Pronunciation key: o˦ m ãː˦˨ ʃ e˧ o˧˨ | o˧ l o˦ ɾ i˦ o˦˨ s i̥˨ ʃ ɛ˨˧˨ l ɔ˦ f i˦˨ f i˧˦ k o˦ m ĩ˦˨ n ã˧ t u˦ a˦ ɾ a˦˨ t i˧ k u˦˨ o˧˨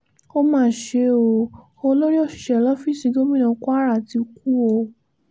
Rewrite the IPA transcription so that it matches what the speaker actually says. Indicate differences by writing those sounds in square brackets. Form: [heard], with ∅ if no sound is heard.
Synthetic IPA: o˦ m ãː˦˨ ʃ e˧ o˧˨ | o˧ l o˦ ɾ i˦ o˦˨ [ʃ] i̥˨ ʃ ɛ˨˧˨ l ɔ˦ f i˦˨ [s] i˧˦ [ɡ] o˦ m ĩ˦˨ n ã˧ [k] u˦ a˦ ɾ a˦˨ t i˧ k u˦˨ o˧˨